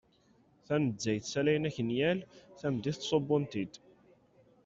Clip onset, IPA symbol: θ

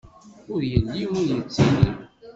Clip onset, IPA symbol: ʊ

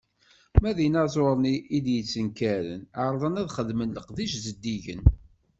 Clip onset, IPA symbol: m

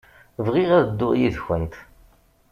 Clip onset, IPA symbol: v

